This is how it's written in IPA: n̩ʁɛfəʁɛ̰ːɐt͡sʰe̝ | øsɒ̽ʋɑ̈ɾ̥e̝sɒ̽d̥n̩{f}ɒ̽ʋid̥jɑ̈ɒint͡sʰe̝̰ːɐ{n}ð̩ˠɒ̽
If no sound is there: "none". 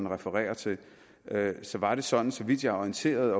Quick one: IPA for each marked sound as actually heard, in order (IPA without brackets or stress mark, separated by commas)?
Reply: s, none